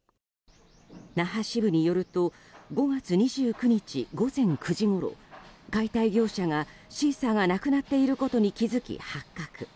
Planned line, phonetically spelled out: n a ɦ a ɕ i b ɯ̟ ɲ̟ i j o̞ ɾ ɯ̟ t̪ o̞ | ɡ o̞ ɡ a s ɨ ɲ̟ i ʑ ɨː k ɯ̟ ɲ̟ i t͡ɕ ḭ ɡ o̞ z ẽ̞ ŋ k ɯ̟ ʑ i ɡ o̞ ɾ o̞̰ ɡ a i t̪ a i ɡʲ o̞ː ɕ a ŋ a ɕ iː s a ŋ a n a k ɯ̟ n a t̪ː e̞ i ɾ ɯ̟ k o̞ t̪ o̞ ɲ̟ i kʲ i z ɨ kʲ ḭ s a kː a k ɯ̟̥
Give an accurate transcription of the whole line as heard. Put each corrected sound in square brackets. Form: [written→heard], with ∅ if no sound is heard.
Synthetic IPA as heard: n a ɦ a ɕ i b ɯ̟ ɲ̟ i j o̞ ɾ ɯ̟ t̪ o̞ | ɡ o̞ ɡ a [s→t͡s] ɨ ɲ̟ i ʑ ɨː k ɯ̟ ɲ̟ i t͡ɕ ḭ ɡ o̞ z ẽ̞ ŋ k ɯ̟ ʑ i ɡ o̞ ɾ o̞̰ ɡ a i t̪ a i ɡʲ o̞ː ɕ a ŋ a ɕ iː s a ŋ a n a k ɯ̟ n a t̪ː e̞ i ɾ ɯ̟ k o̞ t̪ o̞ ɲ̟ i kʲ i z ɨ kʲ ḭ [s→h] a kː a k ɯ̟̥

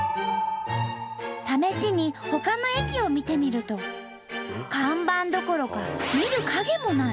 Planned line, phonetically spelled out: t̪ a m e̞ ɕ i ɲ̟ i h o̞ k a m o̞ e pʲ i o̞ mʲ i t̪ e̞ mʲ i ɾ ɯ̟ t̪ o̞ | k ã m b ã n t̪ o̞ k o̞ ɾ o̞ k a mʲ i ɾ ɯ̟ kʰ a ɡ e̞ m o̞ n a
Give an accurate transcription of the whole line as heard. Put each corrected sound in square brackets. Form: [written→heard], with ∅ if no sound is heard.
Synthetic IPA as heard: t̪ a m e̞ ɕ i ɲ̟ i h o̞ k a [m→n] o̞ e [pʲ→kʲ] i o̞ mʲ i t̪ e̞ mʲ i ɾ ɯ̟ t̪ o̞ | k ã m b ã n [t̪→d̪] o̞ k o̞ ɾ o̞ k a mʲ i ɾ ɯ̟ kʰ a ɡ e̞ m o̞ n a

